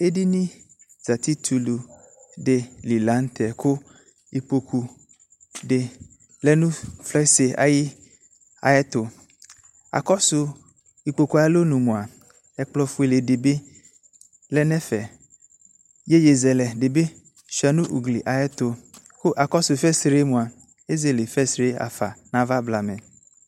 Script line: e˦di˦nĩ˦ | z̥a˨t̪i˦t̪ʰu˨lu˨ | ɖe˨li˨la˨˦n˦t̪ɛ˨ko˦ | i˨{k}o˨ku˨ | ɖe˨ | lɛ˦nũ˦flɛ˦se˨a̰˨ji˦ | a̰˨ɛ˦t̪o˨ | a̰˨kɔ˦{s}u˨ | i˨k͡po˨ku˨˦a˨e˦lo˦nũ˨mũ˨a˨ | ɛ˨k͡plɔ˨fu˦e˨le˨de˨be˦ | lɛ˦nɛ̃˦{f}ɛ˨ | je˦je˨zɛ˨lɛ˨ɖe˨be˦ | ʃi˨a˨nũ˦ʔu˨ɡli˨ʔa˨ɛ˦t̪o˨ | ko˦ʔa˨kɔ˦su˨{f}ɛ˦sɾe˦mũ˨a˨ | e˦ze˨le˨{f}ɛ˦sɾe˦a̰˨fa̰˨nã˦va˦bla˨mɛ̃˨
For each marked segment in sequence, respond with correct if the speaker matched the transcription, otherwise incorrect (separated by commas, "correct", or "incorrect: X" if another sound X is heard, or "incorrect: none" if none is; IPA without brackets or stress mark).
incorrect: k͡p, correct, correct, correct, correct